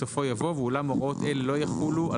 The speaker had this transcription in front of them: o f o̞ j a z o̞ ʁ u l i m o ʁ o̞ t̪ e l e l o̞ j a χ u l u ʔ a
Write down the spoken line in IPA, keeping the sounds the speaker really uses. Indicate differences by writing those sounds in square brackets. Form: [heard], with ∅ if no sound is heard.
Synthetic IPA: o f o̞ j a [v] o̞ [v] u l [a] m o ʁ o̞ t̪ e l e l o̞ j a χ u l u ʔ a